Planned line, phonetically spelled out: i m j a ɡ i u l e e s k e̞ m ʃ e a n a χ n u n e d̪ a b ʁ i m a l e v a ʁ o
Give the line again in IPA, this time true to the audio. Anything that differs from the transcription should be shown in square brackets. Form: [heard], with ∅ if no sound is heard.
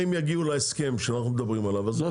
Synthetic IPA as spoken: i m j a ɡ i u l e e s k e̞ m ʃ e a n a χ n u [m] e d̪ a b ʁ i m a l [a] v a [z] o